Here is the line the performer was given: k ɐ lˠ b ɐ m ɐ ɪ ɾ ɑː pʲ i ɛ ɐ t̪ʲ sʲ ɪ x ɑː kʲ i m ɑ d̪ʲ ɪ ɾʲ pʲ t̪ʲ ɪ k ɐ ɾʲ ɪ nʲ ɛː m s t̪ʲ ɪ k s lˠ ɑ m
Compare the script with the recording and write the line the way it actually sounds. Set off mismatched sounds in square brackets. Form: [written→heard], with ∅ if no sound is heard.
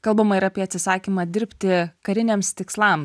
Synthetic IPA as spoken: k ɐ lˠ b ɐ m ɐ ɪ ɾ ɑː pʲ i ɛ ɐ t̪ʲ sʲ ɪ [x→s] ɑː kʲ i m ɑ d̪ʲ ɪ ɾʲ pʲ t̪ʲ ɪ k ɐ ɾʲ ɪ nʲ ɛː m s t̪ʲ ɪ k s lˠ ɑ m

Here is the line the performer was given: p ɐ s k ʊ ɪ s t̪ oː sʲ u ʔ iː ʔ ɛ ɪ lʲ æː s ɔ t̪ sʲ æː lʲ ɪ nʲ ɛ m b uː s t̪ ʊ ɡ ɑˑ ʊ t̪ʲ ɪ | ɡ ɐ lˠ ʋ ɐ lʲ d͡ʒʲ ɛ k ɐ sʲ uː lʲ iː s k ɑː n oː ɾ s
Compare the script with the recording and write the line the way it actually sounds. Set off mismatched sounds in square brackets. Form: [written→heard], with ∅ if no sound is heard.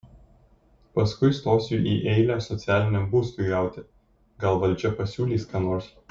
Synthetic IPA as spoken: p ɐ s k ʊ ɪ s t̪ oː sʲ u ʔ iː ʔ ɛ ɪ lʲ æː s ɔ t̪ sʲ æː lʲ ɪ nʲ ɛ m b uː s t̪ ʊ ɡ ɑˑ ʊ t̪ʲ ɪ | ɡ ɐ lˠ ʋ ɐ lʲ d͡ʒʲ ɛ [k→p] ɐ sʲ uː lʲ iː s k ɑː n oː ɾ s

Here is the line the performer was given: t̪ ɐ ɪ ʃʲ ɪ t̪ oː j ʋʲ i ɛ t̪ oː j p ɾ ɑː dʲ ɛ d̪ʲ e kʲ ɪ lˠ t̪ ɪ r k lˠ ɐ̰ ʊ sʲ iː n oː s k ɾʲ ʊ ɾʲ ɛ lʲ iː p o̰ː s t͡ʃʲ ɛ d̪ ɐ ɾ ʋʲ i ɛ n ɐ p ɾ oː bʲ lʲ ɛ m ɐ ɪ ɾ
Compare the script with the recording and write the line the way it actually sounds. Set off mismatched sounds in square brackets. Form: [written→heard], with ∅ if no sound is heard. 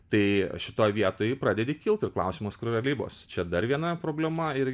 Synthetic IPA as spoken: t̪ ɐ ɪ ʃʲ ɪ t̪ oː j ʋʲ i ɛ t̪ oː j p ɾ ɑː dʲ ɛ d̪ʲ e kʲ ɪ lˠ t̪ ɪ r k lˠ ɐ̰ ʊ sʲ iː [n→m] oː s k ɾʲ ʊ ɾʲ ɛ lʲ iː [p→b] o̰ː s t͡ʃʲ ɛ d̪ ɐ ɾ ʋʲ i ɛ n ɐ p ɾ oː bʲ lʲ ɛ m ɐ ɪ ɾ

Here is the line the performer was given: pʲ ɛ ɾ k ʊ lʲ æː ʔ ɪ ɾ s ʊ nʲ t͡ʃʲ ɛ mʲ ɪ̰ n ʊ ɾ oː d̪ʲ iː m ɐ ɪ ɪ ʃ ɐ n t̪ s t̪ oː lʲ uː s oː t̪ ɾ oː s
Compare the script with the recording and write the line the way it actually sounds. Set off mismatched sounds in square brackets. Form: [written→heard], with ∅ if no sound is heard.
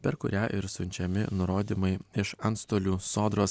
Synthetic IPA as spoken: pʲ ɛ ɾ k ʊ [lʲ→ɾʲ] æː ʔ ɪ ɾ s ʊ nʲ t͡ʃʲ ɛ mʲ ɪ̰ n ʊ ɾ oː d̪ʲ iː m ɐ ɪ ɪ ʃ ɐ n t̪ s t̪ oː lʲ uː s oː [t̪→d̪] ɾ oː s

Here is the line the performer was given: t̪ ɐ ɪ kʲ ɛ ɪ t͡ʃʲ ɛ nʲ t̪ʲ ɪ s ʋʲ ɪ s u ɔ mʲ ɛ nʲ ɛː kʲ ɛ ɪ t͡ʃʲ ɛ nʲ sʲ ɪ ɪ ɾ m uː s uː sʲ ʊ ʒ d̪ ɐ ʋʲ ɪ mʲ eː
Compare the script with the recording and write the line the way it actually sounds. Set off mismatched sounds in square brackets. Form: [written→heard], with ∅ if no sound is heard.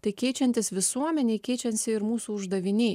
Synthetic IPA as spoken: t̪ ɐ ɪ kʲ ɛ ɪ t͡ʃʲ ɛ nʲ t̪ʲ ɪ s ʋʲ ɪ s u ɔ mʲ ɛ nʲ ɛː kʲ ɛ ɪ t͡ʃʲ ɛ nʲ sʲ ɪ ɪ ɾ m uː s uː [sʲ→∅] ʊ ʒ d̪ ɐ ʋʲ ɪ [mʲ→nʲ] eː

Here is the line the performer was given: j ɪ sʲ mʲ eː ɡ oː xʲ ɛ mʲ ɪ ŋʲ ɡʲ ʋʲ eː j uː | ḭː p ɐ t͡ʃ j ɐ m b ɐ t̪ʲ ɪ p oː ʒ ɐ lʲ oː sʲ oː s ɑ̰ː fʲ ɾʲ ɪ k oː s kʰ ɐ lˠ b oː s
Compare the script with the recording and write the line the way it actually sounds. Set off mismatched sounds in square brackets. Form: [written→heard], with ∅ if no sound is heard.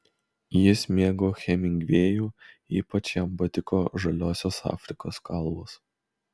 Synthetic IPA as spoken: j ɪ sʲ mʲ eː ɡ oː xʲ ɛ mʲ ɪ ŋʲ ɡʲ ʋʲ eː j uː | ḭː p ɐ t͡ʃ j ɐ m b ɐ t̪ʲ ɪ [p→k] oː ʒ ɐ lʲ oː sʲ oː s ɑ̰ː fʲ ɾʲ ɪ k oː s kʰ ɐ lˠ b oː s

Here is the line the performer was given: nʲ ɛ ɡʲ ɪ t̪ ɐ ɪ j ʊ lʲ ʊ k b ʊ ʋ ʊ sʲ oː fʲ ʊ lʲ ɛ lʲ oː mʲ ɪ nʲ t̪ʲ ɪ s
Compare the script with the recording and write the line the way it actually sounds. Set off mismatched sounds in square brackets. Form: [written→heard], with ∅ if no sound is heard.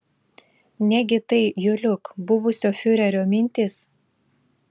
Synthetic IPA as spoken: nʲ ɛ ɡʲ ɪ t̪ ɐ ɪ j ʊ lʲ ʊ k b ʊ ʋ ʊ sʲ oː fʲ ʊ [lʲ→ɾʲ] ɛ [lʲ→ɾʲ] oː mʲ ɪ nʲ t̪ʲ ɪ s

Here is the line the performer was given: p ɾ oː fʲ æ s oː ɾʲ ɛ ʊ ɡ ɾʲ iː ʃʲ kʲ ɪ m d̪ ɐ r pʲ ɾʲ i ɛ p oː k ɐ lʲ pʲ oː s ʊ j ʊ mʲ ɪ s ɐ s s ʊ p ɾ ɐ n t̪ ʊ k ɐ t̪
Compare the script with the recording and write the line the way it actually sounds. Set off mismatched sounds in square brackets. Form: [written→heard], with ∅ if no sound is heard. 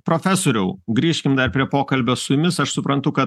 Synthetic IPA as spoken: p ɾ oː fʲ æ s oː ɾʲ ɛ ʊ ɡ ɾʲ iː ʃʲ kʲ ɪ m d̪ ɐ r pʲ ɾʲ i ɛ p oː k ɐ lʲ [pʲ→bʲ] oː s ʊ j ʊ mʲ ɪ s ɐ [s→ʃ] s ʊ p ɾ ɐ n t̪ ʊ k ɐ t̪

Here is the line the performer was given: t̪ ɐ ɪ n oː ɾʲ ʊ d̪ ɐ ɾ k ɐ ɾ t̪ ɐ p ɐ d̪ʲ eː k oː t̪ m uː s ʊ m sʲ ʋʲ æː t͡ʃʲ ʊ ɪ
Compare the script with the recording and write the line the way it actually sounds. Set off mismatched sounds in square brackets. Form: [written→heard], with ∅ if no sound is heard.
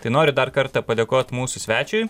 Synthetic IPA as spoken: t̪ ɐ ɪ n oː ɾʲ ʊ d̪ ɐ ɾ k ɐ ɾ t̪ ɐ p ɐ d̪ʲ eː k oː t̪ m uː s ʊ [m→∅] sʲ ʋʲ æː t͡ʃʲ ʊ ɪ

